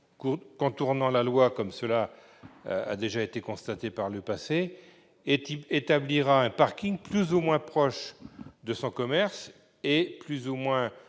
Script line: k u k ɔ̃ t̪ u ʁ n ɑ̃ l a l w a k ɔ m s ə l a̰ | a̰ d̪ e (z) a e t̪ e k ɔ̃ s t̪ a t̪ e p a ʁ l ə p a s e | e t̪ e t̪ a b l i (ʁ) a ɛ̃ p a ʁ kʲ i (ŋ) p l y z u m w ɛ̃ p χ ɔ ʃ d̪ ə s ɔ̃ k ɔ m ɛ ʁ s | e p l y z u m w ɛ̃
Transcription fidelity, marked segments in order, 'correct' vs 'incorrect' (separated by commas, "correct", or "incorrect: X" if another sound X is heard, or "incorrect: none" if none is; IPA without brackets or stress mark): incorrect: ʒ, correct, correct